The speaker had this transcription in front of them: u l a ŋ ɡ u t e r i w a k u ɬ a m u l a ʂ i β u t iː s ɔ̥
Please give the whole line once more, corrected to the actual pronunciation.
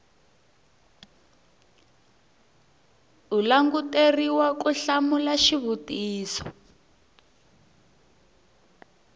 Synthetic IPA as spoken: u l a ŋ ɡ u t e r i w a k u ɬ a m u l a ʃ i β u t iː s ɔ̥